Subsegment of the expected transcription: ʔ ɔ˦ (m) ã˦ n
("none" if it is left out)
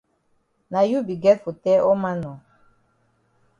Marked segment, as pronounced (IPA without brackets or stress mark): m